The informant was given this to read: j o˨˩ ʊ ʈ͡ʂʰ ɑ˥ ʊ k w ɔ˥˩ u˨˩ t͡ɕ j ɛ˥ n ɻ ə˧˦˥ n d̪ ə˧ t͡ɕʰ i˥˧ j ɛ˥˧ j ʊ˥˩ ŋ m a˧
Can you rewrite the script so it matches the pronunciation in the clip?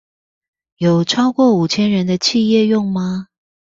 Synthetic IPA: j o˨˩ ʊ ʈ͡ʂʰ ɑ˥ ʊ k w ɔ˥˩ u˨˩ t͡ɕʰ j ɛ˥ n ɻ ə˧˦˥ n d̪ ə˧ t͡ɕʰ i˥˧ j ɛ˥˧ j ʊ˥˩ ŋ m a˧